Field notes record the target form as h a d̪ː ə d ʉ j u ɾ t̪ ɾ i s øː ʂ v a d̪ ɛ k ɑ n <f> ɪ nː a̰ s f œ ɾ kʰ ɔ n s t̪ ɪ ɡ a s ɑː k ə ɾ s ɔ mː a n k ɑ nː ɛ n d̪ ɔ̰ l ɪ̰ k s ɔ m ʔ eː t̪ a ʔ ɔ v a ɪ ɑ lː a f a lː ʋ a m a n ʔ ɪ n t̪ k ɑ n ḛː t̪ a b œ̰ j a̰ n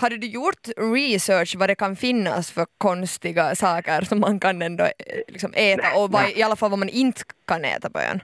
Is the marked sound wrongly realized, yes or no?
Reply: no